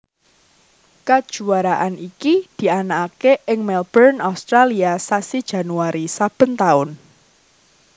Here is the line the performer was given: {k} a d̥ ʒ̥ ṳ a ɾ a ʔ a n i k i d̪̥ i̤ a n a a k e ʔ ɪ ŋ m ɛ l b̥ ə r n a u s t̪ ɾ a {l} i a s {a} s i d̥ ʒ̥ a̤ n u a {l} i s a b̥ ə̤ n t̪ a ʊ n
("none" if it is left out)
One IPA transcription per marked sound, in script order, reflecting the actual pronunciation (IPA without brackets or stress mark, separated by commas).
k, l, a, ɾ